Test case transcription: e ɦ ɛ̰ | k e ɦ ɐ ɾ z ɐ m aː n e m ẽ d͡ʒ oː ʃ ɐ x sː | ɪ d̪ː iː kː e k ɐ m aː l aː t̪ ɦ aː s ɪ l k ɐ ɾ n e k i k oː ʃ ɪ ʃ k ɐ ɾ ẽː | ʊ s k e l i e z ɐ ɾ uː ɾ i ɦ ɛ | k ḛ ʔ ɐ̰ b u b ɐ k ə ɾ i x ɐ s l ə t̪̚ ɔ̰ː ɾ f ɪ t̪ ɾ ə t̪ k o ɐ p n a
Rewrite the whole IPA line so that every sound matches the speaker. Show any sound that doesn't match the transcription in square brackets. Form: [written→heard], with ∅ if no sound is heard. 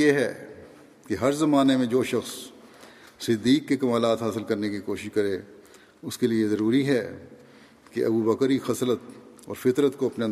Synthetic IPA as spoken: e ɦ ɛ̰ | k e ɦ ɐ ɾ z ɐ m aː n e m ẽ d͡ʒ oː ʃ ɐ x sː | ɪ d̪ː iː kː e k ɐ m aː l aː t̪ ɦ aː s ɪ l k ɐ ɾ n e k i k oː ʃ ɪ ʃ k ɐ ɾ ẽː | ʊ s k e l i e z ɐ ɾ uː ɾ i ɦ ɛ | k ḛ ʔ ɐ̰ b u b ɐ k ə ɾ i x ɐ s l ə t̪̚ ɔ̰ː ɾ f ɪ t̪ ɾ ə t̪ k o ɐ p n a